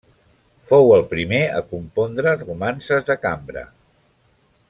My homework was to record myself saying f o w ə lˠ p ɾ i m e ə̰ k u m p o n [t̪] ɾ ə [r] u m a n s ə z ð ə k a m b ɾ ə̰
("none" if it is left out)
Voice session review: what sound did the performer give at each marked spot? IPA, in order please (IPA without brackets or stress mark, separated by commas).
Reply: d̪, r